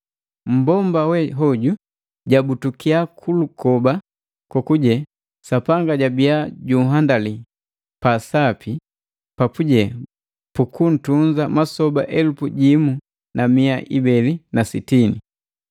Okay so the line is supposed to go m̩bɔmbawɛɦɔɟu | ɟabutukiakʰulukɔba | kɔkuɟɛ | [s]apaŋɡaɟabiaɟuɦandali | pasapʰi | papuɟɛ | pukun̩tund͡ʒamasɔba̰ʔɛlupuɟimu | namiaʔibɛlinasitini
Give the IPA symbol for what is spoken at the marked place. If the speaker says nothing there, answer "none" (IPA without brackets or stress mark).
s